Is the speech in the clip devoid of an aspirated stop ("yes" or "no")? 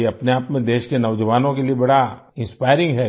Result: yes